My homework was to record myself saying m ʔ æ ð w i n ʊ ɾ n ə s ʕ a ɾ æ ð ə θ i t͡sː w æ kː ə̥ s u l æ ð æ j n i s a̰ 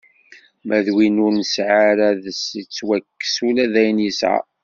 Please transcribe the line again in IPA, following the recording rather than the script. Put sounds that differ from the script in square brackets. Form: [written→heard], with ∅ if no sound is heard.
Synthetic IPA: m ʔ æ ð w i n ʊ ɾ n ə s ʕ a ɾ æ ð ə [θ→s] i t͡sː w æ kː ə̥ s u l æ ð æ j n i s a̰